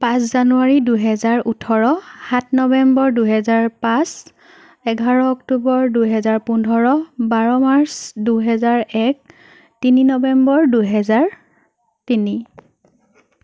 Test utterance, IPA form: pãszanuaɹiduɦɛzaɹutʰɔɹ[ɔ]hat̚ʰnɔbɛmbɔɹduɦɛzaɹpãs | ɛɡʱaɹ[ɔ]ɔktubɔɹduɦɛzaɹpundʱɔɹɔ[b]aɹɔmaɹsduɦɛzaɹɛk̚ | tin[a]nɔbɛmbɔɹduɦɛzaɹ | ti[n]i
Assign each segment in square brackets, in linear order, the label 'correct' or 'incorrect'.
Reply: correct, correct, correct, incorrect, correct

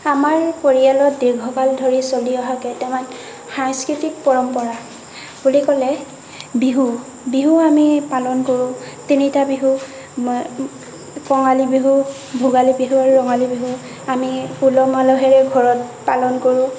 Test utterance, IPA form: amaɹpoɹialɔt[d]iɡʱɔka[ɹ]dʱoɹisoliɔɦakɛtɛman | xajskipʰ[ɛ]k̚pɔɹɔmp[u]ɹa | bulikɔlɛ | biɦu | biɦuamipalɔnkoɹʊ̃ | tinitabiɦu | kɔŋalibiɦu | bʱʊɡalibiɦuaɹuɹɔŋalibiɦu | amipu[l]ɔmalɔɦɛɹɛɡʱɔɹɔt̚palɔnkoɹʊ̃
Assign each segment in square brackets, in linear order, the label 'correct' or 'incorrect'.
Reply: correct, incorrect, incorrect, incorrect, correct

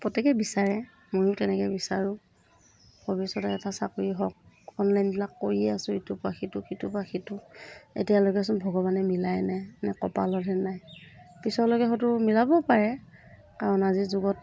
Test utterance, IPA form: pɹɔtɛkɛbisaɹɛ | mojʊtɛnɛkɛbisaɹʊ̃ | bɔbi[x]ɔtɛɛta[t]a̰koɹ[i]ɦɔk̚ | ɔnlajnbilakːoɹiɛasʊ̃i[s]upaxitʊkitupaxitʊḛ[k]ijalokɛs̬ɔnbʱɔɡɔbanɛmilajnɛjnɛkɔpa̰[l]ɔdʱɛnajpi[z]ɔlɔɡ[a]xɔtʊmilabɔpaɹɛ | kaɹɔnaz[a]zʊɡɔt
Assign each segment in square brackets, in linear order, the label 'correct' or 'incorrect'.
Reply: incorrect, incorrect, correct, incorrect, incorrect, correct, incorrect, incorrect, incorrect

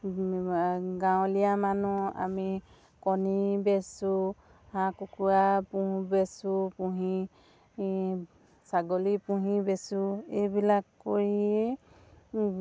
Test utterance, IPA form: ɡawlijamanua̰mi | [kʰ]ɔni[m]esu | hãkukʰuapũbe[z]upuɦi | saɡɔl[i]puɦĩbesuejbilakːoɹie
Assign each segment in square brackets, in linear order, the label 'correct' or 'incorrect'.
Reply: incorrect, incorrect, incorrect, correct

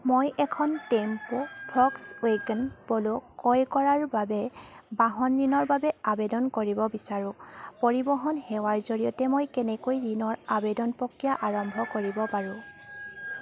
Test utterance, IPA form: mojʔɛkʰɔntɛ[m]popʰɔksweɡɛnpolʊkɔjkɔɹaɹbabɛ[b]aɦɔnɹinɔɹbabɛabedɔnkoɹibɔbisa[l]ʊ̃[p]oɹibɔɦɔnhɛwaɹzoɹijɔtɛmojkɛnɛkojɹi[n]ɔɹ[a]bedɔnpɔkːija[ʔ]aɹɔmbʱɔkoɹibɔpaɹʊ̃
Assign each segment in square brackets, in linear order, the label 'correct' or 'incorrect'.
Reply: correct, correct, incorrect, correct, correct, correct, correct

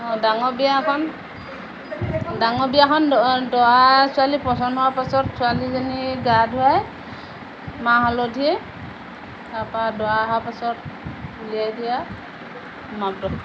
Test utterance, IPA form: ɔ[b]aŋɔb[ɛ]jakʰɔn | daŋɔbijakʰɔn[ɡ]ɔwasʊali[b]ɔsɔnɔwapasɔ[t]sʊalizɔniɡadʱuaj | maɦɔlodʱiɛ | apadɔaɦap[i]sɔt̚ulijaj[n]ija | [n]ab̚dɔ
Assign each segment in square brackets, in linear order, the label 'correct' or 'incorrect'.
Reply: incorrect, incorrect, incorrect, incorrect, correct, incorrect, incorrect, incorrect

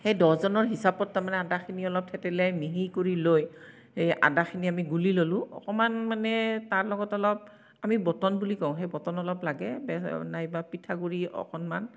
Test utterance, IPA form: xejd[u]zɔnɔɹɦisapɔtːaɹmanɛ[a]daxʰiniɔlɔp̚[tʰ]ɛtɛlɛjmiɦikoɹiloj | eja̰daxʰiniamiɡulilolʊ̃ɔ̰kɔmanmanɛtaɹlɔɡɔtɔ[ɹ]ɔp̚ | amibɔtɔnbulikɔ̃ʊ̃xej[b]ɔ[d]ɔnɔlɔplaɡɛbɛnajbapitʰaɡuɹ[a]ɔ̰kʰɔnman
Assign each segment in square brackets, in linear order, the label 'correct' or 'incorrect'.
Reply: incorrect, correct, correct, incorrect, correct, incorrect, incorrect

